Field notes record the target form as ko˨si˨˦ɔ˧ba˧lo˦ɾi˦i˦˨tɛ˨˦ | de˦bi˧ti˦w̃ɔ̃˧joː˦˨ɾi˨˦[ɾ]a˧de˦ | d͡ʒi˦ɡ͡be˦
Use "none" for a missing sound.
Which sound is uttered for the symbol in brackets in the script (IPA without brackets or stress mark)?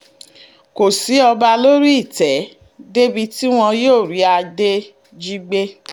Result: none